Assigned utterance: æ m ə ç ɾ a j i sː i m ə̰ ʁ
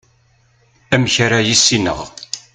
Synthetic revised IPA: æ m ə ç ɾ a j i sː i n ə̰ ʁ